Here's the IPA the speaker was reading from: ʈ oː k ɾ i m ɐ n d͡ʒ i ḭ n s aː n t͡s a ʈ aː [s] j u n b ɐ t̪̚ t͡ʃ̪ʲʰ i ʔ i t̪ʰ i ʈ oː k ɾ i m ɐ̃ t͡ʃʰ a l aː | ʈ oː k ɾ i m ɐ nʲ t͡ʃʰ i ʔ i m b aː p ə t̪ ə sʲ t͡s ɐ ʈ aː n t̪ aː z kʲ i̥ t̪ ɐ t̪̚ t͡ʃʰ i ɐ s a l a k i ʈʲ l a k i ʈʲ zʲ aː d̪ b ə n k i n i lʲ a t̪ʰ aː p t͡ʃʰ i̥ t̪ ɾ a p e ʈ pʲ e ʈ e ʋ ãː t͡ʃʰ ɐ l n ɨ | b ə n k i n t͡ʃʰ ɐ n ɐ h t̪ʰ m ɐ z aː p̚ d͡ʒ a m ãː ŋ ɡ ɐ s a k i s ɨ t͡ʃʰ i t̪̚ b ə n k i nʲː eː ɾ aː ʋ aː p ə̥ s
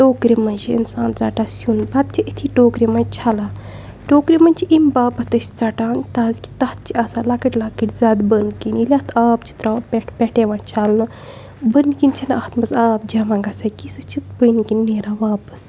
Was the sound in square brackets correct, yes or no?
yes